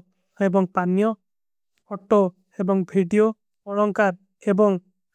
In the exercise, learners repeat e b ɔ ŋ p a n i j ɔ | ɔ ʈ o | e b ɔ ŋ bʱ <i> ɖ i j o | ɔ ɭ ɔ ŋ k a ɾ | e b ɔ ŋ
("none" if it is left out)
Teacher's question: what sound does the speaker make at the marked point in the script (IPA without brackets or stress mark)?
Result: i